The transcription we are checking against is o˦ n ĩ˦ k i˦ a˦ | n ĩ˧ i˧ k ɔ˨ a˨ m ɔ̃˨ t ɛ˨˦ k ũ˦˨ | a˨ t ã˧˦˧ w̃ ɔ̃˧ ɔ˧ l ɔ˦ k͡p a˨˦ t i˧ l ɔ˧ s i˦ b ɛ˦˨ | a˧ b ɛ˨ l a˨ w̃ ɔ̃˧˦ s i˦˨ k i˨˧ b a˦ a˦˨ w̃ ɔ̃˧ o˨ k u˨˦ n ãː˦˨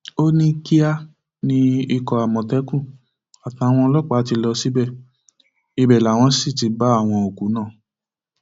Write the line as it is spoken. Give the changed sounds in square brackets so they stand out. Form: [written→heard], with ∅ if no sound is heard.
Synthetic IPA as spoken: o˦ n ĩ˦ k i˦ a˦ | n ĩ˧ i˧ k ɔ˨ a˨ m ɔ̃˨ t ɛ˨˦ k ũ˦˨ | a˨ t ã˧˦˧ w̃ ɔ̃˧ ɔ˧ l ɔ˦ k͡p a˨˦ t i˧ l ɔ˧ s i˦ b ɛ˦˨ | [a˧→i˧] b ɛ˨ l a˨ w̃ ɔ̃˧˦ s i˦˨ [k→t] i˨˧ b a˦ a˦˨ w̃ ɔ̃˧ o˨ k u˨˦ n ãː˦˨